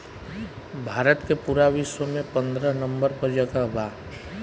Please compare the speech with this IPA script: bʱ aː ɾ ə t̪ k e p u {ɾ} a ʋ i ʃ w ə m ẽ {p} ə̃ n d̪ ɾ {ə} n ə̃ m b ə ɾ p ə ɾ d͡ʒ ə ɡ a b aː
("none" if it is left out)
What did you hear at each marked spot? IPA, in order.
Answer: ɾ, p, ə

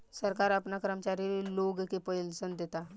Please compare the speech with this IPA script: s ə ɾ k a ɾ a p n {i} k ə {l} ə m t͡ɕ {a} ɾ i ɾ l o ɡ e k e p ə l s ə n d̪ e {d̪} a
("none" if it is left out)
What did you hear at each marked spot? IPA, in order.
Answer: a, ɾ, a, t̪

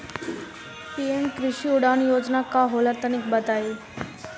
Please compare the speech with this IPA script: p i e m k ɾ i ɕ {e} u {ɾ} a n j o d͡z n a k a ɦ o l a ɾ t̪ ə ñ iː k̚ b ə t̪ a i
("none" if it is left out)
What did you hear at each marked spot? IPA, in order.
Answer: i, ɽ

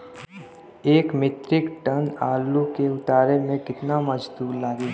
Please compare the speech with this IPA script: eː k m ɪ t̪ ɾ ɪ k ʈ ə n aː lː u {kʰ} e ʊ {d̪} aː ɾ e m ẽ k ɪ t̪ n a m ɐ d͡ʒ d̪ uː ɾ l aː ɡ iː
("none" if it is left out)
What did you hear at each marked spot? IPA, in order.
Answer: k, t̪

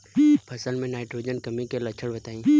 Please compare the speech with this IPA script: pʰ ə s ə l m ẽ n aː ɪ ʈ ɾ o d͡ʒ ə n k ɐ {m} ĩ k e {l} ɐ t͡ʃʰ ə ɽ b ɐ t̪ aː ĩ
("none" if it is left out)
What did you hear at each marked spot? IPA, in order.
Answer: m, l

